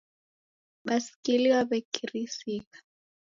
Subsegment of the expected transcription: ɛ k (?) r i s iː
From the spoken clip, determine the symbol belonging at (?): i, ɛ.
i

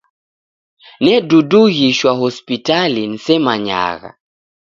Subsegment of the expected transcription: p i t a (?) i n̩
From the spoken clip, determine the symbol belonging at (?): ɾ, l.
l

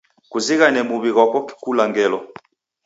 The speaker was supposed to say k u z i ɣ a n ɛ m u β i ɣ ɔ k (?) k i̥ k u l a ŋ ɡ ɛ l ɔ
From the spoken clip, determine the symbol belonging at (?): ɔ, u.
ɔ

